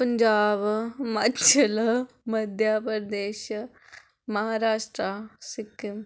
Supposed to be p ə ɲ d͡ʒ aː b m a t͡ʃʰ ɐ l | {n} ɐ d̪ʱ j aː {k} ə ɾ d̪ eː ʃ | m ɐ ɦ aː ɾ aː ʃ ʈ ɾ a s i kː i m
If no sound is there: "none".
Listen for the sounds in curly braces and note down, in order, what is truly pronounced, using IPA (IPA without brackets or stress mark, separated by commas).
m, p